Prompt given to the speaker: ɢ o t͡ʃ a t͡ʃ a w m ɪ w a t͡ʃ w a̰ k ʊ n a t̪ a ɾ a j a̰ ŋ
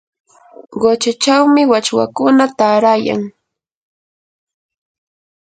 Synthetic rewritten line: ɢ o t͡ʃ a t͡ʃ a w m ɪ w a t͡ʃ w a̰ k ʊ n a t̪ a ɾ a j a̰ ŋ